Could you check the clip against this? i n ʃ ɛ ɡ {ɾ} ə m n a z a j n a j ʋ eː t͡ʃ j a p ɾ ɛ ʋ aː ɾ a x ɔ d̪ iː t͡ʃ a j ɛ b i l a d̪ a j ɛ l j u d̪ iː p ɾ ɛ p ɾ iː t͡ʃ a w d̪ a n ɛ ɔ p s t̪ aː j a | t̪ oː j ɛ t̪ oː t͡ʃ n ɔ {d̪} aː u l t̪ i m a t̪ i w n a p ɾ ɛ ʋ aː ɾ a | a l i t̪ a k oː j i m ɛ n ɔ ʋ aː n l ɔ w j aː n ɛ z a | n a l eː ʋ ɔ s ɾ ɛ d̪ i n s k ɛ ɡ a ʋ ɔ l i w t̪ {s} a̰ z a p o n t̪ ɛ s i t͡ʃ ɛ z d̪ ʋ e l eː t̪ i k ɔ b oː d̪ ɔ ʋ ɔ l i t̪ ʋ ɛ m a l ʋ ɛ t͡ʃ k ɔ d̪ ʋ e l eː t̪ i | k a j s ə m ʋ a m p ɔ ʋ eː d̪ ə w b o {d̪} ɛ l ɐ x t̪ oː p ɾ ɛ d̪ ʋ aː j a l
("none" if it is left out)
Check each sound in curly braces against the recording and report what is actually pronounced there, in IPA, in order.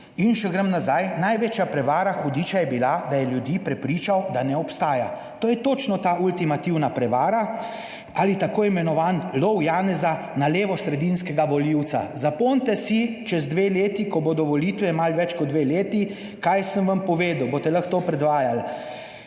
ɾ, t̪, s, t̪

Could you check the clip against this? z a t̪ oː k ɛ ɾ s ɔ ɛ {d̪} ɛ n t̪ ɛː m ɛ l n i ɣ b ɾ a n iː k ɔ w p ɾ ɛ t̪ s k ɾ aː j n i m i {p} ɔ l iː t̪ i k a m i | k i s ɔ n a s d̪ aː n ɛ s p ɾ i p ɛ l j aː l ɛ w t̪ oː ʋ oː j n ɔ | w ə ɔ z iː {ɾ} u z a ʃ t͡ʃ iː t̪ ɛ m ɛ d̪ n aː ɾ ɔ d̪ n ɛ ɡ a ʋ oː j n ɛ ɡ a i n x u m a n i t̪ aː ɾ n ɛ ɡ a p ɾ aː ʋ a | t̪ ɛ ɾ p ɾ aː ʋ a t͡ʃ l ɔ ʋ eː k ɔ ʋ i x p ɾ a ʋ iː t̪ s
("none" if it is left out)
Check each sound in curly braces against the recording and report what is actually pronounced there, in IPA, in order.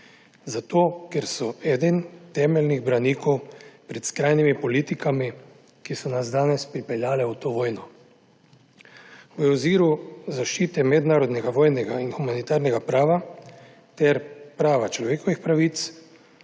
d̪, p, ɾ

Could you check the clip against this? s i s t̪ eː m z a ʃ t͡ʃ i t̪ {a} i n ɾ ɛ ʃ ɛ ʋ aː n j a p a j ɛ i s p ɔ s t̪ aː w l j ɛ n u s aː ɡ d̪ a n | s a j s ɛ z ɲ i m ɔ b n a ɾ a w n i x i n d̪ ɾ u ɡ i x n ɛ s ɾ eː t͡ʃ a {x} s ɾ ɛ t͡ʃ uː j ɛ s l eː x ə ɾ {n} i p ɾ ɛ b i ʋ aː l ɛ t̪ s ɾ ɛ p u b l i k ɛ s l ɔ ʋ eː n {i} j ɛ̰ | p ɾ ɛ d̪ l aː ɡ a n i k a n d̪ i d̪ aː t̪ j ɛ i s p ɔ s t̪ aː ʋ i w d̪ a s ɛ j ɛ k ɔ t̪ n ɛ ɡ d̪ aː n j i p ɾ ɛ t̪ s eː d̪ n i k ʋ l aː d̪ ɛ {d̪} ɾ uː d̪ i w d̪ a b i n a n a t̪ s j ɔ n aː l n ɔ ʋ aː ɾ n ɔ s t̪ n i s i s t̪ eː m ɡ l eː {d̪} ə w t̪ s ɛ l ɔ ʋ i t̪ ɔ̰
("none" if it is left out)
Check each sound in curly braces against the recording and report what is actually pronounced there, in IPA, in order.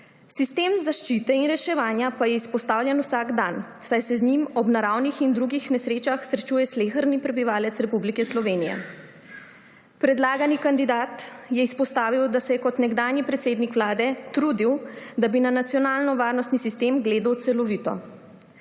ɛ, x, n, i, t̪, d̪

